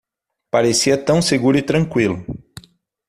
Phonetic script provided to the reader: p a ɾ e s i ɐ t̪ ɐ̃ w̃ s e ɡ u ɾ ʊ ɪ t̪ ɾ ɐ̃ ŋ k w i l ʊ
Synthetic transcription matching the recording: p a ɾ e s i ɐ t̪ ɐ̃ w̃ s e ɡ u ɾ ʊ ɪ t̪ ɾ ɐ̃ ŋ k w i l ʊ